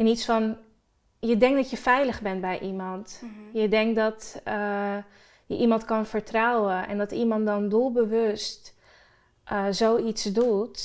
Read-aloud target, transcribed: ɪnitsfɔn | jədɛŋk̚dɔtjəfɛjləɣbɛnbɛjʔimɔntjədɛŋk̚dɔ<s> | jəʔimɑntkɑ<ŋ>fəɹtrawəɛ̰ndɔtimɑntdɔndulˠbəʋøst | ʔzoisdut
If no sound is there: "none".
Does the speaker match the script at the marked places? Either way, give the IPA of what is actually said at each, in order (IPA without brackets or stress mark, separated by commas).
t, n